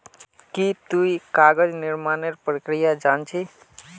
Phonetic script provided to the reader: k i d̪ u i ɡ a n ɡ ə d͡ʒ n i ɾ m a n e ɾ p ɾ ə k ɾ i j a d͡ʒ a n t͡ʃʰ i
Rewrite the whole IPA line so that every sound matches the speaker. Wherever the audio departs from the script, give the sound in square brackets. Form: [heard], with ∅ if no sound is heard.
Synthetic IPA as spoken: k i [t̪] u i [k] a [∅] ɡ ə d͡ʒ n i ɾ m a n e ɾ p ɾ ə k ɾ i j a d͡ʒ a n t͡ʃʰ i